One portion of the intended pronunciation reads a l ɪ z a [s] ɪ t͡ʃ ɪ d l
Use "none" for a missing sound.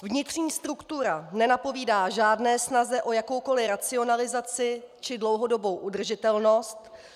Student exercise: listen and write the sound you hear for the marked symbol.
t͡s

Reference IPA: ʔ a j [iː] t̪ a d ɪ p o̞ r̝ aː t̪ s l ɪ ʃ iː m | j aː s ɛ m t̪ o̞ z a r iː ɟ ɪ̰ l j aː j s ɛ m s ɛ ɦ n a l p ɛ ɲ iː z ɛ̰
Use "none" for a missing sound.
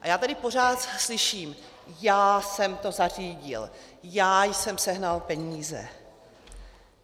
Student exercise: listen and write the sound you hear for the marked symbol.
aː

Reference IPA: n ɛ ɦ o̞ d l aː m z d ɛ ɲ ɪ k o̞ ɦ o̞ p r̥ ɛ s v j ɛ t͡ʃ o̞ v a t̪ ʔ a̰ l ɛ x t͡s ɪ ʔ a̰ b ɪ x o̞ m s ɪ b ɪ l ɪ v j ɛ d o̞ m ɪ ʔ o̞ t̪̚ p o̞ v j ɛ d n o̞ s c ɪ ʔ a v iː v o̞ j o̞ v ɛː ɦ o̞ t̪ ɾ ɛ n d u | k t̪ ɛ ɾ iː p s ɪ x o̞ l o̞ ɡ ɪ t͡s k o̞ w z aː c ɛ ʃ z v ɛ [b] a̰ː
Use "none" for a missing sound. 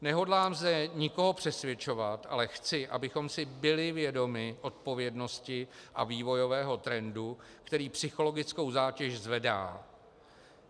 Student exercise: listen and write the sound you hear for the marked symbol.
d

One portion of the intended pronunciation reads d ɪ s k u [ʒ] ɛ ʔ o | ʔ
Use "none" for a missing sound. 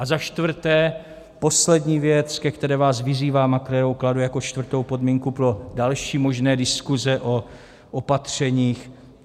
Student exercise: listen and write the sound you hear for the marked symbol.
z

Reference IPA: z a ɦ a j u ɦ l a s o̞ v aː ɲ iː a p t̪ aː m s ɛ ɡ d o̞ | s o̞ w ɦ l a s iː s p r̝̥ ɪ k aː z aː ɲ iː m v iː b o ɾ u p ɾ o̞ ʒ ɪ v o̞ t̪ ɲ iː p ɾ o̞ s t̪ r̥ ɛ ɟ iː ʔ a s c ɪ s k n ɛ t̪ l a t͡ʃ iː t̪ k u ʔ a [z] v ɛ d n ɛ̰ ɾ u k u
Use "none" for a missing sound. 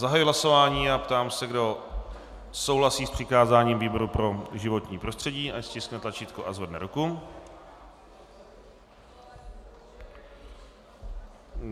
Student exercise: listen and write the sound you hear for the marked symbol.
z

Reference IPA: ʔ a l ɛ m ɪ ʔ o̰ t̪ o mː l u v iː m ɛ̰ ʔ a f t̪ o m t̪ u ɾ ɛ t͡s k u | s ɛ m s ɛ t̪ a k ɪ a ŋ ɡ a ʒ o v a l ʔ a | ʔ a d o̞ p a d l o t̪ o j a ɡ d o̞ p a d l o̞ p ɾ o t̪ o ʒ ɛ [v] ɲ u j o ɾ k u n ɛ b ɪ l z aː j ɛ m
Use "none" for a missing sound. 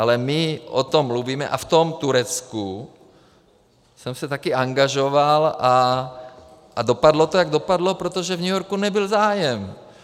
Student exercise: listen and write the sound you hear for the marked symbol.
v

